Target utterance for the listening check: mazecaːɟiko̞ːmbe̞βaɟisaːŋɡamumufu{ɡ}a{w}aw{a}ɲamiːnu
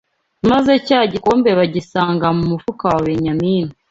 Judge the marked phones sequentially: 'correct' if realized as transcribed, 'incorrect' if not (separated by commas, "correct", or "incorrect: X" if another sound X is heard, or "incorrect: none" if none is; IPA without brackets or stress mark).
incorrect: k, correct, incorrect: e